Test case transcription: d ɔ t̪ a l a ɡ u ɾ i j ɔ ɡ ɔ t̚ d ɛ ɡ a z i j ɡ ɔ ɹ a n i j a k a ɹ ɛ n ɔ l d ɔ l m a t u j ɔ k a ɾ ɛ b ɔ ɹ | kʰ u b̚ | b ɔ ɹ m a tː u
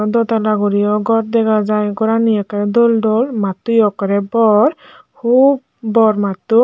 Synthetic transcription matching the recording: d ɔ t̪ a l a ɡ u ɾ i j ɔ ɡ ɔ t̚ d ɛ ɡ a z a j ɡ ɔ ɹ a n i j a k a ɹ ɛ d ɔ l d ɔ l m a t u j ɔ k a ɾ ɛ b ɔ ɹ | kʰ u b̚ | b ɔ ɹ m a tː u